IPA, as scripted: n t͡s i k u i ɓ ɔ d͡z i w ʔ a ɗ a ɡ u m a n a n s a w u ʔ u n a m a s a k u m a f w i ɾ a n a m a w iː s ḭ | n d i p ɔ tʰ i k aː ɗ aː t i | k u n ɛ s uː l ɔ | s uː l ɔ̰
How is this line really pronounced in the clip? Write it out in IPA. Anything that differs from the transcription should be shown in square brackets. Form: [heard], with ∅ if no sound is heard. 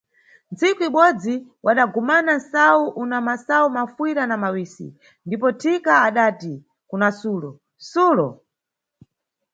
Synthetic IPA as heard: n t͡s i k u i ɓ ɔ d͡z i w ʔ a ɗ a ɡ u m a n a n s a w u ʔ u n a m a s a [∅] u m a f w i ɾ a n a m a w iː s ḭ | n d i p ɔ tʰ i k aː ɗ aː t i | k u n [a] s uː l ɔ | s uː l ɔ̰